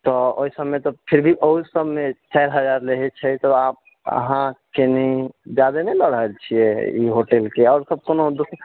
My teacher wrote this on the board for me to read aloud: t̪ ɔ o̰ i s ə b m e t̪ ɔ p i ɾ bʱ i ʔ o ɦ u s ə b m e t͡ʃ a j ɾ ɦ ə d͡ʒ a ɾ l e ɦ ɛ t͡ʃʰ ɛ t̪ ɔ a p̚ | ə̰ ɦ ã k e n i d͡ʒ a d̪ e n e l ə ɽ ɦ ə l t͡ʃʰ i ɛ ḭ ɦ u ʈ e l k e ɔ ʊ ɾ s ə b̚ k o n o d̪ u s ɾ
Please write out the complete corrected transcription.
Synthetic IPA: t̪ ɔ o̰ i s ə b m e t̪ ɔ pʰ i ɾ bʱ i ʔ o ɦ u s ə b m e t͡ʃ a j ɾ ɦ ə d͡ʒ a ɾ l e ɦ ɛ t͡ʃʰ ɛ t̪ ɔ a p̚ | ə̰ ɦ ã k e n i d͡ʒ a d̪ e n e l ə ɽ ɦ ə l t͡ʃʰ i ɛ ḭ ɦ o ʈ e l k e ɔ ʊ ɾ s ə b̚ k o n o d̪ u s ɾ

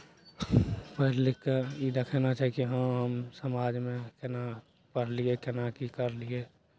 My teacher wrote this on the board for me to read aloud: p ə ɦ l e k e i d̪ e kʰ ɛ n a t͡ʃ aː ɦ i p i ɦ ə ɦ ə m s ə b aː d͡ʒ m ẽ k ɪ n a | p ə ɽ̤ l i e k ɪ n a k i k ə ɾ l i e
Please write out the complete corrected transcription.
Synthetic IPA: p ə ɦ l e k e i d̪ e kʰ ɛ n a t͡ʃ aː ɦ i k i ɦ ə ɦ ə m s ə m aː d͡ʒ m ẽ k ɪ n a | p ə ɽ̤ l i e k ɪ n a k i k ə ɾ l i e

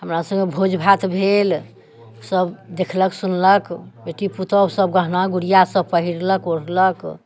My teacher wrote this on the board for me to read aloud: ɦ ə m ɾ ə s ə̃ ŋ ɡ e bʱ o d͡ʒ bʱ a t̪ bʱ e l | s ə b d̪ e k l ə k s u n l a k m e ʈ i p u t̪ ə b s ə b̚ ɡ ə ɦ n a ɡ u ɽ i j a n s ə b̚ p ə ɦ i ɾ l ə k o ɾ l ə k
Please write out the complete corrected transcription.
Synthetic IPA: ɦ ə m ɾ a s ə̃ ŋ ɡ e bʱ o d͡ʒ bʱ a t̪ bʱ e l | s ə b d̪ e kʰ l ə k s u n l ə k b e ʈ i p u t̪ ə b s ə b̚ ɡ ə ɦ n a ɡ u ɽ i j a s ə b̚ p ə ɦ i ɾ l ə k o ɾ l ə k

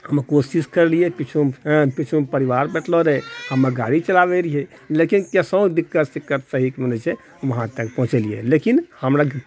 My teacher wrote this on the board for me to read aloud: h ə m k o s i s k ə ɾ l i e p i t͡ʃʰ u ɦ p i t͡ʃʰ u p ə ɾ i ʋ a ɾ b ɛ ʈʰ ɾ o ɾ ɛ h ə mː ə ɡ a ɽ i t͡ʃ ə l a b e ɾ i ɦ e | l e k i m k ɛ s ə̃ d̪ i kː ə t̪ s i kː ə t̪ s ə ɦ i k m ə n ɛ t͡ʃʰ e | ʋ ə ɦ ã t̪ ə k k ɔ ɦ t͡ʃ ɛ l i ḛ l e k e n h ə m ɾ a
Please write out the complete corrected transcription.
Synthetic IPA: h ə m k o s i s k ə ɾ l i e p i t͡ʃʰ u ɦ p i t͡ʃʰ u p ə ɾ i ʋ a ɾ b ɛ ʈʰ l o ɾ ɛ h ə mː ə ɡ a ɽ i t͡ʃ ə l a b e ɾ i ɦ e | l e k i n k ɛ s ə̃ d̪ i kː ə t̪ s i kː ə t̪ s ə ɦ i k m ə n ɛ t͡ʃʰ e | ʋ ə ɦ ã t̪ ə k p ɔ ɦ t͡ʃ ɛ l i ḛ l e k i n h ə m ɾ a

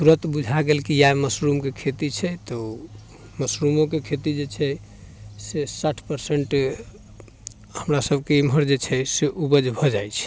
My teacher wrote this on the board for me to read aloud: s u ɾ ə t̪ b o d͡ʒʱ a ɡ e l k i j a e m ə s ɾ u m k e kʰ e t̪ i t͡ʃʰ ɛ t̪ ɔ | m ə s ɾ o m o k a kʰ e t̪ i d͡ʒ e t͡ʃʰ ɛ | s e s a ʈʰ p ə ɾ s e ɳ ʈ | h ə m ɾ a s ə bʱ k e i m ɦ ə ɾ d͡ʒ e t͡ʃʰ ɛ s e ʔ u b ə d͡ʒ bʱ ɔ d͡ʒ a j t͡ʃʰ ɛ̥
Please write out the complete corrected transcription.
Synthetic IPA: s u ɾ ə t̪ b u d͡ʒʱ a ɡ e l k i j a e m ə s ɾ u m k e kʰ e t̪ i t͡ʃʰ ɛ t̪ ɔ | m ə s ɾ u m o k e kʰ e t̪ i d͡ʒ e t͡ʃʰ ɛ | s e s a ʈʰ p ə ɾ s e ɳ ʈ | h ə m ɾ a s ə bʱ k e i m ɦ ə ɾ d͡ʒ e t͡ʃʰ ɛ s e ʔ u b ə d͡ʒ bʱ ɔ d͡ʒ a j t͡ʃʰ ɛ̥

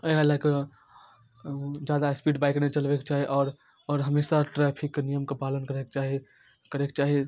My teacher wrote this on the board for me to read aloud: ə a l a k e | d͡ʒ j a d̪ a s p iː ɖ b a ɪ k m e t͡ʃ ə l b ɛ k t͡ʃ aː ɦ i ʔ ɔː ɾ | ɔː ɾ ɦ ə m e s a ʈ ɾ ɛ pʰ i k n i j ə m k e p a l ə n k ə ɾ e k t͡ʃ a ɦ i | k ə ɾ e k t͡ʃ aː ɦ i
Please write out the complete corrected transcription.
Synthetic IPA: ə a l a k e | d͡ʒ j a d̪ a s p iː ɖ b a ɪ k n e t͡ʃ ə l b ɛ k t͡ʃ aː ɦ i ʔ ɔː ɾ | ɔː ɾ ɦ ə m e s a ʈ ɾ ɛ pʰ i k n i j ə m k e p a l ə n k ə ɾ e k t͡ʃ a ɦ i | k ə ɾ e k t͡ʃ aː ɦ i

